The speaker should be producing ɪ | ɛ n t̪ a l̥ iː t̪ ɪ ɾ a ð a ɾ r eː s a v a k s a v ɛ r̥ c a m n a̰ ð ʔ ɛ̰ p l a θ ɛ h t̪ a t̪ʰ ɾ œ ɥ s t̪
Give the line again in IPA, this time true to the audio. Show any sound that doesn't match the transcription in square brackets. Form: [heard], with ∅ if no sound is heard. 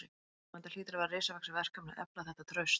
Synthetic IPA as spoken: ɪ | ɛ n t̪ a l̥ iː t̪ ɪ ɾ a [v] a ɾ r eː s a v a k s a v ɛ r̥ [k] a m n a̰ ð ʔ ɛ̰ p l a θ ɛ h t̪ a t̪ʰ ɾ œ ɥ s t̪